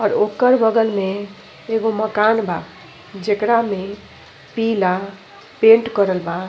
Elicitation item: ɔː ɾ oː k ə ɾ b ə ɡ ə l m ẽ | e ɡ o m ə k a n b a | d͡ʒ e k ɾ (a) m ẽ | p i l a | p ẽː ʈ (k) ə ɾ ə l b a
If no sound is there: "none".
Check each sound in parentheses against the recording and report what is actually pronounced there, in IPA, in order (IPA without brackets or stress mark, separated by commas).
a, k